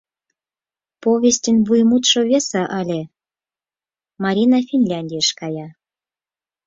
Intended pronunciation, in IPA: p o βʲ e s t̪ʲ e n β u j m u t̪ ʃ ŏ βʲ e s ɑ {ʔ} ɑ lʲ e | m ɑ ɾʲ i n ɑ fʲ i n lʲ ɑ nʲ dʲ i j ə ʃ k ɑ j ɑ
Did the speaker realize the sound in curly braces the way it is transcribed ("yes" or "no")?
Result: yes